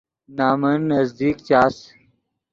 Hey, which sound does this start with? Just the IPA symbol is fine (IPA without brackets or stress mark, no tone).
n